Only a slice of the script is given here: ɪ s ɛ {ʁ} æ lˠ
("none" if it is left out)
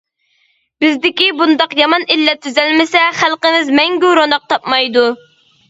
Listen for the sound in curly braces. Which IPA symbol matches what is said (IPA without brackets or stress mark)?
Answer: χ